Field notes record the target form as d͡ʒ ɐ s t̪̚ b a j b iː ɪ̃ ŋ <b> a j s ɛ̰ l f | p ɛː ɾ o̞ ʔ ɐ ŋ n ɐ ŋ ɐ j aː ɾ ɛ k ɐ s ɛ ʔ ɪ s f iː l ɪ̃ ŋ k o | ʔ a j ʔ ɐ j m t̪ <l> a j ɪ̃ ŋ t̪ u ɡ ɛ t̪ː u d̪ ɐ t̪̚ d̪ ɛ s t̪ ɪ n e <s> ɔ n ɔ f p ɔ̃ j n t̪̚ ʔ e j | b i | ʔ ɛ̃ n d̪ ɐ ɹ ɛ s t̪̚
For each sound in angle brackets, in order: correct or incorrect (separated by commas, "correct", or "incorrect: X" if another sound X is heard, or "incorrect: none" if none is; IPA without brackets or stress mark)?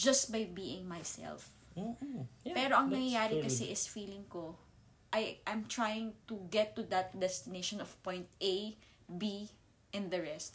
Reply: incorrect: m, incorrect: ɹ, incorrect: ʃ